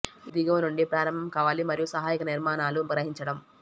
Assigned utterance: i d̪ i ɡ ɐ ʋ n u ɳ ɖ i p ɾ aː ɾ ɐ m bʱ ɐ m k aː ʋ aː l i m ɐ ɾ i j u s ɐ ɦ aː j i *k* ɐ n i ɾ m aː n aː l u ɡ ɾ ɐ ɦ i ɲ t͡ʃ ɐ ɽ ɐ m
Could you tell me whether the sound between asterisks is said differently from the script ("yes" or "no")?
no